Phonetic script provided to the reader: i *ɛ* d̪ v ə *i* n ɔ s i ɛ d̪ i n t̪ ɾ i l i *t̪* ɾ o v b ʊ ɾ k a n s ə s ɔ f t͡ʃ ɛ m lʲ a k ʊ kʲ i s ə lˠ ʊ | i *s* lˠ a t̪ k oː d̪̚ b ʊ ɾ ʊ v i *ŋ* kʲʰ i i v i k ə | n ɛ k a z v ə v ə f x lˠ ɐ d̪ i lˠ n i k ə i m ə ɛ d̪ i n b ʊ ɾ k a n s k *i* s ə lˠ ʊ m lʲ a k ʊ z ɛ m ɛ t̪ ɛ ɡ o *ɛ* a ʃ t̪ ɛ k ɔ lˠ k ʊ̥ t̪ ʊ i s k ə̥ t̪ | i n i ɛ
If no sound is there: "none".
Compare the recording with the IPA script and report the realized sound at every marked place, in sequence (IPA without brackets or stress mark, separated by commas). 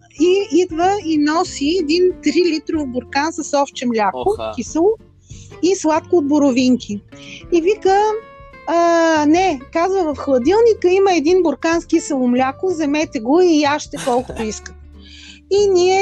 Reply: i, i, t̪, s, ŋ, i, i